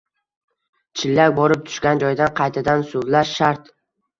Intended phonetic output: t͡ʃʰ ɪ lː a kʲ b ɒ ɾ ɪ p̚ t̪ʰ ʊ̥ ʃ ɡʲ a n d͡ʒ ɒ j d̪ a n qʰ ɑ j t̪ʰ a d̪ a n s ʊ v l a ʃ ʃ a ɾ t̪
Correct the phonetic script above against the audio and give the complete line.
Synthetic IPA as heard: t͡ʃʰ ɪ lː a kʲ b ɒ ɾ ɪ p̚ t̪ʰ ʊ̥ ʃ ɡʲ a n d͡ʒ ɒ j d̪ a n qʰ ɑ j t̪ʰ a d̪ a n s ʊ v l a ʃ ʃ a ɾ t̪